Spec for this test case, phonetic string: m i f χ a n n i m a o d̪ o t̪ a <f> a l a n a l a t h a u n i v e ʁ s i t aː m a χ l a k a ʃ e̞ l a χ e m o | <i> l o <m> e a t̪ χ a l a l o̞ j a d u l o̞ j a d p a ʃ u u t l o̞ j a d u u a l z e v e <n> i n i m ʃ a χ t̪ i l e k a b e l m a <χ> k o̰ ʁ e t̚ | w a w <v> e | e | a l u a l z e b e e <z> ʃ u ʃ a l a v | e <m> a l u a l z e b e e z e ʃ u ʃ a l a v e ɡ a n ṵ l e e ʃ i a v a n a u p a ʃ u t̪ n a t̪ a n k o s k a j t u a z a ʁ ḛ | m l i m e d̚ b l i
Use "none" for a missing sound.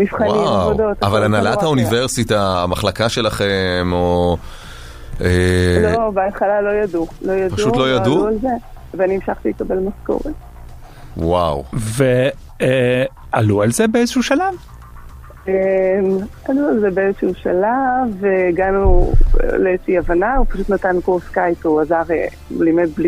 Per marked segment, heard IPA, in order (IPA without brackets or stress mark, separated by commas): v, e, b, n, s, v, z, m